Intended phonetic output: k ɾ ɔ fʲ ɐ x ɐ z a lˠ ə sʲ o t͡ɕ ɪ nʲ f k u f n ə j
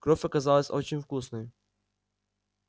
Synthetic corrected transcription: k ɾ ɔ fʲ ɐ k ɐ z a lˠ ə sʲ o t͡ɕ ɪ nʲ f k u s n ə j